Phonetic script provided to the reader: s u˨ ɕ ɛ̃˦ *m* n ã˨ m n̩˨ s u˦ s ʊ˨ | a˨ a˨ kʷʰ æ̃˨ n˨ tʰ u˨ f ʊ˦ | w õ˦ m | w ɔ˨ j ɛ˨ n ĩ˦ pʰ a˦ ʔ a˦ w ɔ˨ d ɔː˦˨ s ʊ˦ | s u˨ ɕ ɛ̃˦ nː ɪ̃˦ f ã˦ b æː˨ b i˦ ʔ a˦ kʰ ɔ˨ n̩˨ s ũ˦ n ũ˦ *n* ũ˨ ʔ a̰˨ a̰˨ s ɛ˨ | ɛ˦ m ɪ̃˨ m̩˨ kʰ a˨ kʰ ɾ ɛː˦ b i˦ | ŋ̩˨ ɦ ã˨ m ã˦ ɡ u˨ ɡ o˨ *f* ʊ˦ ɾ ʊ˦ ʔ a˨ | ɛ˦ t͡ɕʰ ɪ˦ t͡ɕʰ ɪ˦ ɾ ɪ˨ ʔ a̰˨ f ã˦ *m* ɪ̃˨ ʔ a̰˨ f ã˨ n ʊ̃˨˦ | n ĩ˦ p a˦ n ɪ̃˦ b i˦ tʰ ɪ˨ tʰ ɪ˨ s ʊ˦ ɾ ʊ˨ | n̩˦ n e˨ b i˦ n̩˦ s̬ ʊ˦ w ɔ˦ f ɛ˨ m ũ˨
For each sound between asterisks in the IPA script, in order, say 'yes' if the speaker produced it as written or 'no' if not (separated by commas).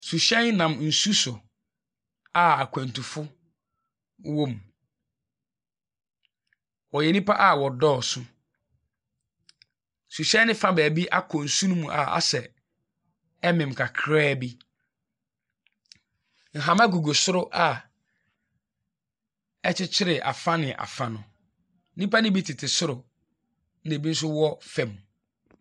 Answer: no, no, no, no